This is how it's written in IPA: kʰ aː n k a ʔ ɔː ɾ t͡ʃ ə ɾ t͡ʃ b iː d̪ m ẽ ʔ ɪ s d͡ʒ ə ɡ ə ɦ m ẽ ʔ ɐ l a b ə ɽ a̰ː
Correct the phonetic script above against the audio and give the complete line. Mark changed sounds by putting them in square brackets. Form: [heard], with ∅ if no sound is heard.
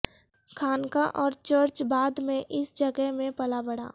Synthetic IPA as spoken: kʰ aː n k a ʔ ɔː ɾ t͡ʃ ə ɾ t͡ʃ b [aː] d̪ m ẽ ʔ ɪ s d͡ʒ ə ɡ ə ɦ m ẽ [p] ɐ l a b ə ɽ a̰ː